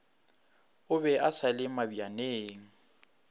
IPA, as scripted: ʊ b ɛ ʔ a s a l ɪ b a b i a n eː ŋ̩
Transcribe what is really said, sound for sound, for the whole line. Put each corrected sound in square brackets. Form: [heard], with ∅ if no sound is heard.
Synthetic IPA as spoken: ʊ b ɛ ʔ a s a l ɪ [m] a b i a n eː ŋ̩